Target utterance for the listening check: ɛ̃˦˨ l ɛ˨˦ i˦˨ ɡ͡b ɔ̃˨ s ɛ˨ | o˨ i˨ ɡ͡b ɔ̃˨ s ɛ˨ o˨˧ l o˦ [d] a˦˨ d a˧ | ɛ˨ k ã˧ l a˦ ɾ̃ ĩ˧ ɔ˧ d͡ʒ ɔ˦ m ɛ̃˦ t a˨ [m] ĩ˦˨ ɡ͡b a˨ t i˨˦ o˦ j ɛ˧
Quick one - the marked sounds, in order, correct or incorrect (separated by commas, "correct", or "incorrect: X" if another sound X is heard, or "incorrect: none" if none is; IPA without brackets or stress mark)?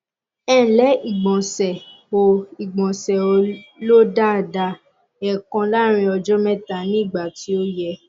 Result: correct, incorrect: n